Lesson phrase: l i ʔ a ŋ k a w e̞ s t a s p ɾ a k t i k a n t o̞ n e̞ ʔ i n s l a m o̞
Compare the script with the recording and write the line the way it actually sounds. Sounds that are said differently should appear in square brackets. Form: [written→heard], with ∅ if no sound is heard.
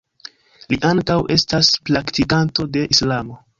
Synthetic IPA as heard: l i ʔ a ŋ k a w e̞ s t a s p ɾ a k t i k a n t o̞ [n→d] e̞ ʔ i [n→∅] s l a m o̞